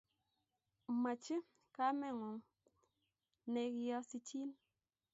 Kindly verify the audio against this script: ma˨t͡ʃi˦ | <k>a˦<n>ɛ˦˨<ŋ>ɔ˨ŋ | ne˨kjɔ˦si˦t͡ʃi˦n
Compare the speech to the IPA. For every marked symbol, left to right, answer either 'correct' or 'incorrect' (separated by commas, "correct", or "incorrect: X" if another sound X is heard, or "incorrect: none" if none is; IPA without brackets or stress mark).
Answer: correct, incorrect: m, correct